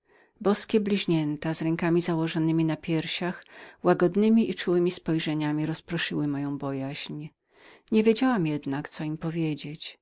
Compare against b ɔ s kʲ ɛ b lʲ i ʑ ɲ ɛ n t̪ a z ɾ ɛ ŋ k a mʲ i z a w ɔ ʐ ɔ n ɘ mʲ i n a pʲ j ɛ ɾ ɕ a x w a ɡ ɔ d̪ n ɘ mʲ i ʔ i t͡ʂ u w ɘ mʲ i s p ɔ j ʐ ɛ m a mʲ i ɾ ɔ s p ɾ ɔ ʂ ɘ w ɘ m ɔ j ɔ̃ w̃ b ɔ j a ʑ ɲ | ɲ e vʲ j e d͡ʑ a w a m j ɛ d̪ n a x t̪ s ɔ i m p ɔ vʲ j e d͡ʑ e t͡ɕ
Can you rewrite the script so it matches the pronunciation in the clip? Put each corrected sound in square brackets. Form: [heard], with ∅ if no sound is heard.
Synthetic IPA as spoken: b ɔ s kʲ ɛ b lʲ i ʑ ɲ ɛ n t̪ a z ɾ ɛ ŋ k a mʲ i z a w ɔ ʐ ɔ n ɘ mʲ i n a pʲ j ɛ ɾ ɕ a x w a ɡ ɔ d̪ n ɘ mʲ i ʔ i t͡ʂ u w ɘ mʲ i s p ɔ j ʐ ɛ [ɲ] a mʲ i ɾ ɔ s p ɾ ɔ ʂ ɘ w ɘ m ɔ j ɔ̃ w̃ b ɔ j a ʑ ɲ | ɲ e vʲ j e d͡ʑ a w a m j ɛ d̪ n a [k] t̪ s ɔ i m p ɔ vʲ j e d͡ʑ e t͡ɕ